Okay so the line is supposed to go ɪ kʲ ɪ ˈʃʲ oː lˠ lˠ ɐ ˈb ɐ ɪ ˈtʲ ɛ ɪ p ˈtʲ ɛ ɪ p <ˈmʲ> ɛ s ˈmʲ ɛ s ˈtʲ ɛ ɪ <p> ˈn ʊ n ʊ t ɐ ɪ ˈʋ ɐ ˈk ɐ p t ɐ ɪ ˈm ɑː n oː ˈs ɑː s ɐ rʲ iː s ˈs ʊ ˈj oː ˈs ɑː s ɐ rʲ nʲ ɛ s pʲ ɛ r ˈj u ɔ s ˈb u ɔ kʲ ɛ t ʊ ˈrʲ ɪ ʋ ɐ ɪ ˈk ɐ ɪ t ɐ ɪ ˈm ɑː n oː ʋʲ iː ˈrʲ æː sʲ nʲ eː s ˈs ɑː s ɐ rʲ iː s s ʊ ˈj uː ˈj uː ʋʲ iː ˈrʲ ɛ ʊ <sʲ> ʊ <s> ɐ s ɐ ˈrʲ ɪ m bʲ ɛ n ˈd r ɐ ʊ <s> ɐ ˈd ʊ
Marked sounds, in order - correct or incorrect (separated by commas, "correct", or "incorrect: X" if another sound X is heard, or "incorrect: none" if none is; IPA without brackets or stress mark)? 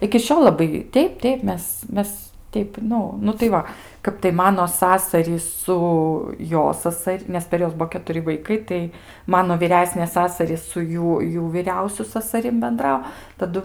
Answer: correct, correct, correct, correct, incorrect: t